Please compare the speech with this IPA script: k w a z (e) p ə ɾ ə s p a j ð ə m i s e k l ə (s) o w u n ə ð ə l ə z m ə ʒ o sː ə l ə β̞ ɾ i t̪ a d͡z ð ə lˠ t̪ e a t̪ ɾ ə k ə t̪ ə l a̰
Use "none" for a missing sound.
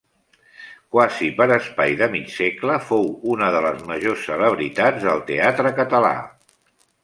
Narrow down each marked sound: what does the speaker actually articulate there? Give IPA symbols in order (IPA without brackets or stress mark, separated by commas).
i, f